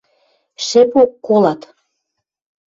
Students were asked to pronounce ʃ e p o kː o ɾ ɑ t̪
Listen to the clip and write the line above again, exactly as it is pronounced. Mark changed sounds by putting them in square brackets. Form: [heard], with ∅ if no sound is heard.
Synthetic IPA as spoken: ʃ e p o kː o [l] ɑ t̪